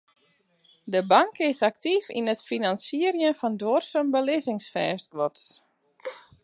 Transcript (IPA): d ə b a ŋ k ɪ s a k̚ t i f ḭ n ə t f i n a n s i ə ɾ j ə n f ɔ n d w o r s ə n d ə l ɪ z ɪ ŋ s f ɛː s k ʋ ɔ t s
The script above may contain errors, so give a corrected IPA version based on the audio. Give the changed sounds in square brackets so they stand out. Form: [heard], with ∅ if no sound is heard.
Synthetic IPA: d ə b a ŋ k ɪ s a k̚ t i f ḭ n ə t f i n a n s i ə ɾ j ə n f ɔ n d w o r s ə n [b] ə l ɪ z ɪ ŋ s f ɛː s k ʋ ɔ t s